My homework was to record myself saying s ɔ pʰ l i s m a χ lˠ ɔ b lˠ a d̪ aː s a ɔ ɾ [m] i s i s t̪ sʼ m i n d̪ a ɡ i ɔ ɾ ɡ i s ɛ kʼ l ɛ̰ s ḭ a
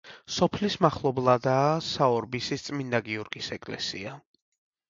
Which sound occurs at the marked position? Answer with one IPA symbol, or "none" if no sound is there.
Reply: b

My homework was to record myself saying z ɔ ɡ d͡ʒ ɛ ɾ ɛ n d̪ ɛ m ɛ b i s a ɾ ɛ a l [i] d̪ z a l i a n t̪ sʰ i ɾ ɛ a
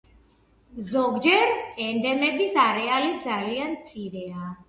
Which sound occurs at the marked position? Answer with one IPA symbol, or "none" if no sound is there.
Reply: i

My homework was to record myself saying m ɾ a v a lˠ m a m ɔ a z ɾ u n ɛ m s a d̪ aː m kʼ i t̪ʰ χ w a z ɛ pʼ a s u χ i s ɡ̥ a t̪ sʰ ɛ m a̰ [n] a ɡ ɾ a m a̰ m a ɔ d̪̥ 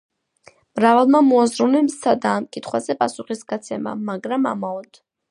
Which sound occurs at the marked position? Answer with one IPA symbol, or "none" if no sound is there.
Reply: m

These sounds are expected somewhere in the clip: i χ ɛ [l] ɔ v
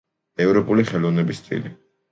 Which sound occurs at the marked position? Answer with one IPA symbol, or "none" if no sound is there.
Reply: l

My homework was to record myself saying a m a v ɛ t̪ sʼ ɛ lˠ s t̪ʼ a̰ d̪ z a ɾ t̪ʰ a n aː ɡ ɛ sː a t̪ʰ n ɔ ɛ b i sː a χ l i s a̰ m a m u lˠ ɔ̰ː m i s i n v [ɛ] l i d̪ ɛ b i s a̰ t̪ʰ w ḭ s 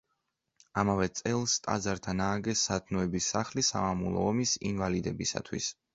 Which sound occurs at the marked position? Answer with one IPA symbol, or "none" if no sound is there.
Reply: a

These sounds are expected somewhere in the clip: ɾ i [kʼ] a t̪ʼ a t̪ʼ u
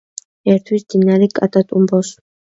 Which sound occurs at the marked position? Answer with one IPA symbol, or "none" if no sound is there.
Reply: kʼ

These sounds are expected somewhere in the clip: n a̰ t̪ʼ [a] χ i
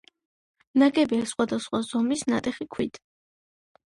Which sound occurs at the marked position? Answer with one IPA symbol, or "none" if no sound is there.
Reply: ɛ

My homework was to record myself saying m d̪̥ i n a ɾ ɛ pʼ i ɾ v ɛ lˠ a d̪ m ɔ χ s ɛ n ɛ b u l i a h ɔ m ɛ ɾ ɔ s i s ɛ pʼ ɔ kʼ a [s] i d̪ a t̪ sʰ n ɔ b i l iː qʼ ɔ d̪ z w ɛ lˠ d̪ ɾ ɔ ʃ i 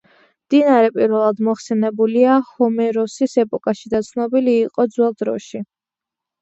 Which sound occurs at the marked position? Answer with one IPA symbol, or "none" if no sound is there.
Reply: ʃ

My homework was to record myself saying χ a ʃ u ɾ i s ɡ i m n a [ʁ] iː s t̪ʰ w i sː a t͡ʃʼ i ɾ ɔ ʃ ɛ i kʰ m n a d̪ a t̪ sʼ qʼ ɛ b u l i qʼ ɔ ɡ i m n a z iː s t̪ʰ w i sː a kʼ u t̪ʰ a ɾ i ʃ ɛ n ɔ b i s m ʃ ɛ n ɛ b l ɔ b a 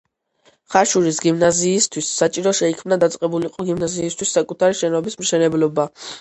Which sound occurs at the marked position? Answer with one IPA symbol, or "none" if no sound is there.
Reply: z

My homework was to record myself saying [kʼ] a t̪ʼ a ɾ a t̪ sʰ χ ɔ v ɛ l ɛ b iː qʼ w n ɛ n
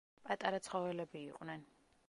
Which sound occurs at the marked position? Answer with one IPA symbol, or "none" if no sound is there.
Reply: pʼ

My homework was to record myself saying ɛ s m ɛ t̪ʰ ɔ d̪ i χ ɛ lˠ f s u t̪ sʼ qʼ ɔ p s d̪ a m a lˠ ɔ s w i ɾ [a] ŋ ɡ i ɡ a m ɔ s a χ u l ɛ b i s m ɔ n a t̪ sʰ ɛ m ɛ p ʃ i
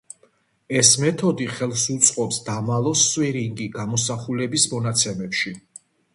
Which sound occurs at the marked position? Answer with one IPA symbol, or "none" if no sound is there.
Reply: i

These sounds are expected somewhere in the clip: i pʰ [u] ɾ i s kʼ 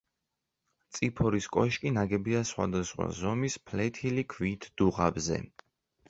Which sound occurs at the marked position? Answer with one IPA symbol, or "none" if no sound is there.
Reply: ɔ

